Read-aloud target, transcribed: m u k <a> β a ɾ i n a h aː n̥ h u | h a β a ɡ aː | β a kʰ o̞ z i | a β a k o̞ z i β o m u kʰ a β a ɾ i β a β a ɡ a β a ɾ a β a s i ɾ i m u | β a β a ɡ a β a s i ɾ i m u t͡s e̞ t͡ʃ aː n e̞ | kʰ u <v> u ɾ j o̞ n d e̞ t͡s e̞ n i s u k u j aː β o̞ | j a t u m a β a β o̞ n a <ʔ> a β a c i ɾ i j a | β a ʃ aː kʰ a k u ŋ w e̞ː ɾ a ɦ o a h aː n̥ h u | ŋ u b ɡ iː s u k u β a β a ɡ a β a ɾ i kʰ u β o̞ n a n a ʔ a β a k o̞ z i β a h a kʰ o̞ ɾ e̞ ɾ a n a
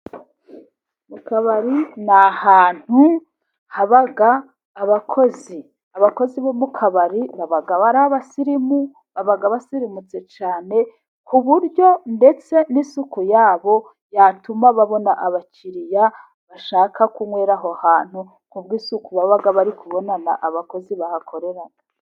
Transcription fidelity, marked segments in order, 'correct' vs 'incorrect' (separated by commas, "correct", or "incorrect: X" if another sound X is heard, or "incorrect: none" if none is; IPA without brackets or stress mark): correct, incorrect: β, correct